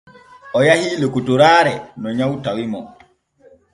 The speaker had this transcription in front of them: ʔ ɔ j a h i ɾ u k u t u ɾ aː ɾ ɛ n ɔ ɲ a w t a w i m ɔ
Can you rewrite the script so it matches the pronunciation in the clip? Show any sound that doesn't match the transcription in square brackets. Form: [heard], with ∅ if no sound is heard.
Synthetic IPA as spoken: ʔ ɔ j a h i [l] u k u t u ɾ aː ɾ ɛ n ɔ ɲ a w t a w i m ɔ